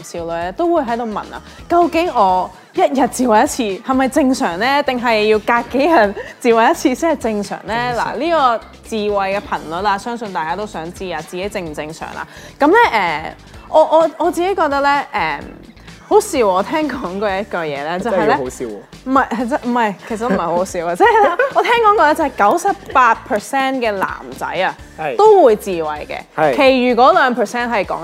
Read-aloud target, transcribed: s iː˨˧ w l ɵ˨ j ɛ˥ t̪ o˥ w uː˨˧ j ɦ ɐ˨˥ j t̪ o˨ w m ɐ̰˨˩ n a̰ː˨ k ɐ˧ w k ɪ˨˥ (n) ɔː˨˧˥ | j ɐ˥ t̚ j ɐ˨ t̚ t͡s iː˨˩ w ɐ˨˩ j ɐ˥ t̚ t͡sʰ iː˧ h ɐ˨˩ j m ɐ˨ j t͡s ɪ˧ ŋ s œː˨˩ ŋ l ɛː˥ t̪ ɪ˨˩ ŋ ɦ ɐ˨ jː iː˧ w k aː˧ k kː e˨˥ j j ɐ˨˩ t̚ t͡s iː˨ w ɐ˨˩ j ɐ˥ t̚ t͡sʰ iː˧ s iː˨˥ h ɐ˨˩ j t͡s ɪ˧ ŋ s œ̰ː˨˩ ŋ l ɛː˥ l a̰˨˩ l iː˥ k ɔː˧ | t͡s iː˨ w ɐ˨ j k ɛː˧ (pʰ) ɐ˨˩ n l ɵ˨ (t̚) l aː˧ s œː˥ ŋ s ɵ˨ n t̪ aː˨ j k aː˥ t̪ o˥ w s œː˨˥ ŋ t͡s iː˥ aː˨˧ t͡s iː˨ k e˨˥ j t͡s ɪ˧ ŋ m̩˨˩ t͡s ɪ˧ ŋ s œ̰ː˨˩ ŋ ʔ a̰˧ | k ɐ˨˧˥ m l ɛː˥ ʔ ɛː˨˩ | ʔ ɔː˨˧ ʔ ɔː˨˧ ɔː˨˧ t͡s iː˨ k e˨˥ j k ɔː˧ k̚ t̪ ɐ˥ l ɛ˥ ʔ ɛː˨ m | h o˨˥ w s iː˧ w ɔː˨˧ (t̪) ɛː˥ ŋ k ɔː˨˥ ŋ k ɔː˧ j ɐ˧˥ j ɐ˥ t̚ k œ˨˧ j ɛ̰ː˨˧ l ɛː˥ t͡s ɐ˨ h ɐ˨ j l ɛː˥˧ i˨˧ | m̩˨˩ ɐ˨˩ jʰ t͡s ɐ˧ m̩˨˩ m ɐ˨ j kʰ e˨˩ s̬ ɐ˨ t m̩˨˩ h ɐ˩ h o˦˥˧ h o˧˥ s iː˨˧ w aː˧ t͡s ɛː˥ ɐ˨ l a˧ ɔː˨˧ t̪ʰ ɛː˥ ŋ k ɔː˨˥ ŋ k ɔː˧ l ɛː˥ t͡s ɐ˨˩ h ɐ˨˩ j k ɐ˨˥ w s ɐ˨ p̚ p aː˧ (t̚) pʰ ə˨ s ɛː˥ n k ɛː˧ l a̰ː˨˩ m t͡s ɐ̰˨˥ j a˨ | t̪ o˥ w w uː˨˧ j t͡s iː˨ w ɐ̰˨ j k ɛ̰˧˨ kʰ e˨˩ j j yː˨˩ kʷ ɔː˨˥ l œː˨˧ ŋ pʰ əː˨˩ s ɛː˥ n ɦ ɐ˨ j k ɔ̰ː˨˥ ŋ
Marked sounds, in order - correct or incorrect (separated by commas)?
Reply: incorrect, correct, correct, incorrect, correct